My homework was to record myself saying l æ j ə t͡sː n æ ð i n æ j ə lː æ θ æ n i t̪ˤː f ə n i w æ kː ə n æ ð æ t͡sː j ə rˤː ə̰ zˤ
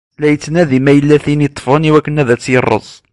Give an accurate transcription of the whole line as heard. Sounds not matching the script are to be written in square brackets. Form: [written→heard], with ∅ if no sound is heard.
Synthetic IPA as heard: l æ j ə t͡sː n æ ð i [n→m] æ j ə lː æ θ [æ→i] n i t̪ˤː f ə n i w æ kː ə n æ ð æ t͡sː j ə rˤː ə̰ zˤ